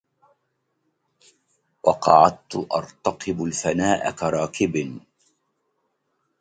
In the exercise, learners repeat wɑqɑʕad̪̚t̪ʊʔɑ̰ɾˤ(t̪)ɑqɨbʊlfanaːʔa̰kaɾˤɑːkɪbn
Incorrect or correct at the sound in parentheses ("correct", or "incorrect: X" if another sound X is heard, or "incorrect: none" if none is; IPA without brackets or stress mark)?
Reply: correct